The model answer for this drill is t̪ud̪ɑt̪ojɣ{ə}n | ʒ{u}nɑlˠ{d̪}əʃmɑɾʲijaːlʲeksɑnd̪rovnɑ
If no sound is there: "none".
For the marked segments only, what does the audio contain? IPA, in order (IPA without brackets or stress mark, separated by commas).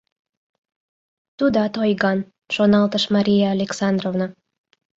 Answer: ɑ, o, t̪